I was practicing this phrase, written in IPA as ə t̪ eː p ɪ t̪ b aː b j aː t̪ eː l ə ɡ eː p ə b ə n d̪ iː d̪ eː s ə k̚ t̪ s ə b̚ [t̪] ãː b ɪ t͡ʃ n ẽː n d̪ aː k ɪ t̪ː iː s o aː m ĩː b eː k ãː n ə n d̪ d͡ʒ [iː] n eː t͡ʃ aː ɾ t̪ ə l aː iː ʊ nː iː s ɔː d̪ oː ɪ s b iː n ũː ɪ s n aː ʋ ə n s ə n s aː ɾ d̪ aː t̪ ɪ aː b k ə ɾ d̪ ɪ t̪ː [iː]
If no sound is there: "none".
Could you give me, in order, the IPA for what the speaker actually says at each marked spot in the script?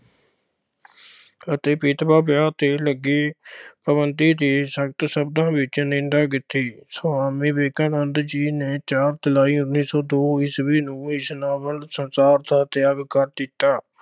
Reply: d̪, iː, aː

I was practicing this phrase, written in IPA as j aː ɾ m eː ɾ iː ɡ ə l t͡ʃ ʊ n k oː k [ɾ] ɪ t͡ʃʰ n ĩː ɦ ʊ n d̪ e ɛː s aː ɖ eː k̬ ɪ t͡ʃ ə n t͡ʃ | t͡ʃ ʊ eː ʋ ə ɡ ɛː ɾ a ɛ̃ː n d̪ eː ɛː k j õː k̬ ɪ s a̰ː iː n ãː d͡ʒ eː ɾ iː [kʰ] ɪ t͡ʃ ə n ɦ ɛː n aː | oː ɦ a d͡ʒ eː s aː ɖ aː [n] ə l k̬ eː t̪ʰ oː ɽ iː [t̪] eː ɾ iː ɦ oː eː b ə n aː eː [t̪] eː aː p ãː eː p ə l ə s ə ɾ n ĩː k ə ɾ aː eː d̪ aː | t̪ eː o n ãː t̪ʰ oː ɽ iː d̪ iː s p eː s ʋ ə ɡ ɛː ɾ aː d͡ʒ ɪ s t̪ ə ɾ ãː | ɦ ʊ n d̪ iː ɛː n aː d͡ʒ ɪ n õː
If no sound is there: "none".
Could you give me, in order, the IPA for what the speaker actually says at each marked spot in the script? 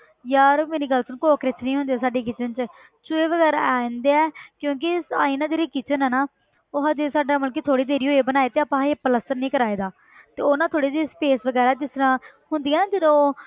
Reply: ɾ, k, m, d̪, t̪

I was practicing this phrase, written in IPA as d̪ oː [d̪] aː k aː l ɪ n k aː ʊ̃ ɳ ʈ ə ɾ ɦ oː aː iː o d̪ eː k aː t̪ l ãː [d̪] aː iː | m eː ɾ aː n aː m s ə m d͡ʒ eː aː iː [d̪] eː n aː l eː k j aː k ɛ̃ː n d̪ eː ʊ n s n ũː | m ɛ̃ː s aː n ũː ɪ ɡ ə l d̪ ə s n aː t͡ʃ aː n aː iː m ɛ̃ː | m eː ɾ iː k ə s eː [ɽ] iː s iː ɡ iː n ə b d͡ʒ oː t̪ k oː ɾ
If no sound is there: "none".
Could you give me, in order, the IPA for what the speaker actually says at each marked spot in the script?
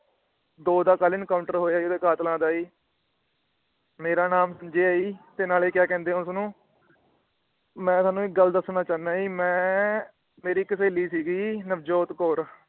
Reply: d̪, d̪, t̪, l

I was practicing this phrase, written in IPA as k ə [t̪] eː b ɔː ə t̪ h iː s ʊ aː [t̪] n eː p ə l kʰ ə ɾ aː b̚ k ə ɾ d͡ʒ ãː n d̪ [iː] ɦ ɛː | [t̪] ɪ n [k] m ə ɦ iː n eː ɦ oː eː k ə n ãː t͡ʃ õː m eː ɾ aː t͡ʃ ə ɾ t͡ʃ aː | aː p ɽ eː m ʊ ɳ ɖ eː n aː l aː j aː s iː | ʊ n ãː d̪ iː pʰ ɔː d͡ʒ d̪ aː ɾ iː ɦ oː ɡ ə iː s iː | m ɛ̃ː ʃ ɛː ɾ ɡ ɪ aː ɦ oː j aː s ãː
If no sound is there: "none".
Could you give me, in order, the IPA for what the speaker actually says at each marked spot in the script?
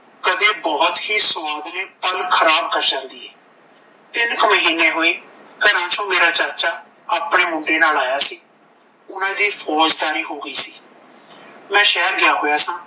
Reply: d̪, d̪, iː, t̪, k

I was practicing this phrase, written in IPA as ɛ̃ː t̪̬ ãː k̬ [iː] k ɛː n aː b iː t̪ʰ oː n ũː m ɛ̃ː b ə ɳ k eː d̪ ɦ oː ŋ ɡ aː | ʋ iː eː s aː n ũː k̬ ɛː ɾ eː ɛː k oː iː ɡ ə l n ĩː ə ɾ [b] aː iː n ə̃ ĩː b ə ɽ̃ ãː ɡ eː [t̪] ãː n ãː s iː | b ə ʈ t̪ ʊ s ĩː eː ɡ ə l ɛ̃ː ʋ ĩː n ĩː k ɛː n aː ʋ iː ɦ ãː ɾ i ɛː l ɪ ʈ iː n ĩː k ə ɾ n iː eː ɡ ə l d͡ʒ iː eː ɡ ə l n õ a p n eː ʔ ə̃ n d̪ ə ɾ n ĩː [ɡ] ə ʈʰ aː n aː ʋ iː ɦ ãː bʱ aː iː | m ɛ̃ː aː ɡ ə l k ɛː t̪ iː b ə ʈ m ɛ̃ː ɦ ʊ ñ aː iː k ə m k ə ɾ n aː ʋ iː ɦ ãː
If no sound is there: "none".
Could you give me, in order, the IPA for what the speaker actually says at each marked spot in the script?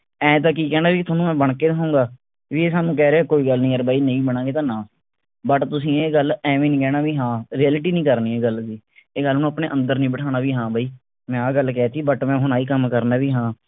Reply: iː, b, t̪, b

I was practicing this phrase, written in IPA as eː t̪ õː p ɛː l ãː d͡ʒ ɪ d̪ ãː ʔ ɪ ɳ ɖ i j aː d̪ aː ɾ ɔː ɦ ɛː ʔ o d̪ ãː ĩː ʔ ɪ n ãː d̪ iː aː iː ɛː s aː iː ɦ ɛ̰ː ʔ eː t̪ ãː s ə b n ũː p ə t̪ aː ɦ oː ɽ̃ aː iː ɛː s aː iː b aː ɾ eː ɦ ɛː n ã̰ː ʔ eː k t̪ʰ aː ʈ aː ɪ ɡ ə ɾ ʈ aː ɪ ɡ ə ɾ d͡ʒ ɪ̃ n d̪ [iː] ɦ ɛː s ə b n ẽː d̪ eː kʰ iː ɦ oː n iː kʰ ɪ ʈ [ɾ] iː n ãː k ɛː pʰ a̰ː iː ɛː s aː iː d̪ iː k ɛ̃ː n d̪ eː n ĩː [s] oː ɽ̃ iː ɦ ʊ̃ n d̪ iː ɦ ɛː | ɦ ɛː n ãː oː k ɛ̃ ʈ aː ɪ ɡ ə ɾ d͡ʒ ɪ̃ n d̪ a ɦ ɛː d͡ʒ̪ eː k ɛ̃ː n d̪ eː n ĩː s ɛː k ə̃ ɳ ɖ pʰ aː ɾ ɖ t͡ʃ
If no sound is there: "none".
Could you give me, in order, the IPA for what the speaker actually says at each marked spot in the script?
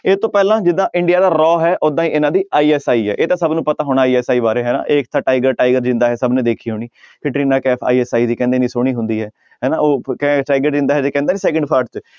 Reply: aː, ɾ, s

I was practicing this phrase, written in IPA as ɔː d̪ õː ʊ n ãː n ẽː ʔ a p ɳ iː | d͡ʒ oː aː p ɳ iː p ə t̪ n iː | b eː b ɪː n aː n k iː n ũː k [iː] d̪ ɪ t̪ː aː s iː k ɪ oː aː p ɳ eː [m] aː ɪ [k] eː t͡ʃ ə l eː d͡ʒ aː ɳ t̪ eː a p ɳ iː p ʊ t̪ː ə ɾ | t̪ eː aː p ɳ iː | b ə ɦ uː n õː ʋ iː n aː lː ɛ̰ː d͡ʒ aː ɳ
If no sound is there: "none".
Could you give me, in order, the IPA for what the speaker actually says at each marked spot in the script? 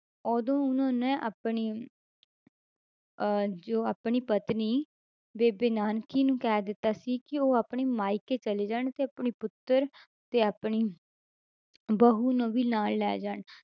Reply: ɛː, m, k

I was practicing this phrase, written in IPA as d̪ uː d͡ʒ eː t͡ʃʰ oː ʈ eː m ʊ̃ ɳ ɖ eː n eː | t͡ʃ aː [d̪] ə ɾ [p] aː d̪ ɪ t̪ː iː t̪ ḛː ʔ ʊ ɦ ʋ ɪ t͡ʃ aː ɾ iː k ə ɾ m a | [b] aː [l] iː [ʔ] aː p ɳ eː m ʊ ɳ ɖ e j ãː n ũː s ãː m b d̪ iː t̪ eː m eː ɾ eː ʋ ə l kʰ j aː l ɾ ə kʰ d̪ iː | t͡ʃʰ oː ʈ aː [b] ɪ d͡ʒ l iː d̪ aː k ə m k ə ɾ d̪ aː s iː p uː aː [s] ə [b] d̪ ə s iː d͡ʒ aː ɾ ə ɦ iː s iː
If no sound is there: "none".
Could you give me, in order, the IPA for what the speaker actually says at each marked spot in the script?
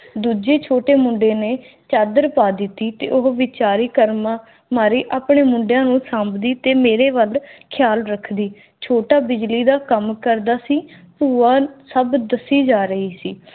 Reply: d̪, p, m, ɾ, ʔ, b, s, b

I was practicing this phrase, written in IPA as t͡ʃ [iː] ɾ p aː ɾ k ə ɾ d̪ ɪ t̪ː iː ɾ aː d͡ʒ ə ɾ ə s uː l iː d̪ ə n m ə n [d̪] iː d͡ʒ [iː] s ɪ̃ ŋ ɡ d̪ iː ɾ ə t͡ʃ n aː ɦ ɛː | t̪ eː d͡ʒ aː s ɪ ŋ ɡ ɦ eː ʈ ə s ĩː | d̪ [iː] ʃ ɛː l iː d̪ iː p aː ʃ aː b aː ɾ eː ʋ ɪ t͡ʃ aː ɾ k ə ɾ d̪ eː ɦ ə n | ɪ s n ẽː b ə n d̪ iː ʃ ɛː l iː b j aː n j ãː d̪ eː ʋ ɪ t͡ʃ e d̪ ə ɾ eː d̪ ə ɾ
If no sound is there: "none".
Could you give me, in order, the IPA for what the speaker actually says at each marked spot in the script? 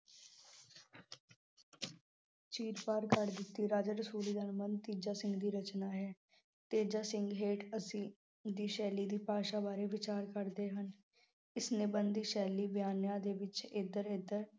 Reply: iː, t̪, aː, iː

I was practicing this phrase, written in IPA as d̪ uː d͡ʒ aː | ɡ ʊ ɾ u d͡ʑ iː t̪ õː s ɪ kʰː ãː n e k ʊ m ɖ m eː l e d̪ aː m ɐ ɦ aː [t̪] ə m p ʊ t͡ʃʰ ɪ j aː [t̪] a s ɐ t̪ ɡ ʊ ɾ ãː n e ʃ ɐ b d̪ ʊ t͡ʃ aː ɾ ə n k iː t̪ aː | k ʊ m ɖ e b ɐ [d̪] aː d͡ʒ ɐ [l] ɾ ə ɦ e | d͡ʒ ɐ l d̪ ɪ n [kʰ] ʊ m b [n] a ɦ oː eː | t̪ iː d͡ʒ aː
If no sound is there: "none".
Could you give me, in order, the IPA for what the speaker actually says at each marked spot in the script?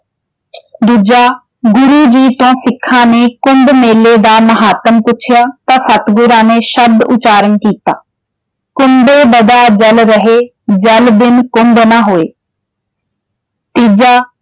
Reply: t̪, t̪, d̪, l, k, n

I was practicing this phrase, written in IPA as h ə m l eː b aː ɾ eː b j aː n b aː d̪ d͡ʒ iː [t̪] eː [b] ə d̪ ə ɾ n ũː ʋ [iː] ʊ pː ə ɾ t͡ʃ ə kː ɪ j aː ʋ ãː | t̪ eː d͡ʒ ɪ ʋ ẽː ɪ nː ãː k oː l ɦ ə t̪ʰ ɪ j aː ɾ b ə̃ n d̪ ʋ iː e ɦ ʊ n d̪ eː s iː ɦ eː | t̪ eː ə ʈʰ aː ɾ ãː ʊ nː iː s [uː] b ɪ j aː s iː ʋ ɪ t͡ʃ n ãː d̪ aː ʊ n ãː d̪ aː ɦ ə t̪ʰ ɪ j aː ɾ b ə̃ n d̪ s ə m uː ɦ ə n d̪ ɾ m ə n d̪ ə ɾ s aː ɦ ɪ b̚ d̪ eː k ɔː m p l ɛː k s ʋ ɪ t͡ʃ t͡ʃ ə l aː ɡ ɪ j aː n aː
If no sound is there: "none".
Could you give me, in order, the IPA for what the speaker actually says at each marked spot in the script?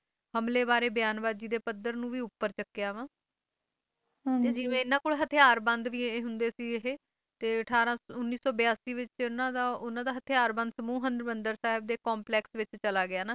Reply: d̪, p, iː, ɔː

